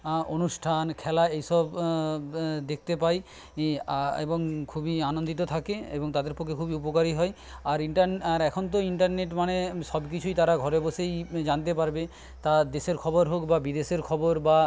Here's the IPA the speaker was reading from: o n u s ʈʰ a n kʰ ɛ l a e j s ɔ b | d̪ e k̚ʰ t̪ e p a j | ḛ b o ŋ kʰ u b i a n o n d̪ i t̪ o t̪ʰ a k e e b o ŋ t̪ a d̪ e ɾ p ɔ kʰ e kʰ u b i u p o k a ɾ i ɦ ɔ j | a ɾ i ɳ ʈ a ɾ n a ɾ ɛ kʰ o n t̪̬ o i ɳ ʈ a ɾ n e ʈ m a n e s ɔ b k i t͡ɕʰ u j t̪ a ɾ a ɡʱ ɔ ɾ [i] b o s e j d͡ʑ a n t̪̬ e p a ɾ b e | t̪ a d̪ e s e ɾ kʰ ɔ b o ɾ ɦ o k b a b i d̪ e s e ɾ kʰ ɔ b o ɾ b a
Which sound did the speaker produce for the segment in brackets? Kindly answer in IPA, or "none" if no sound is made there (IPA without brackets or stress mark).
e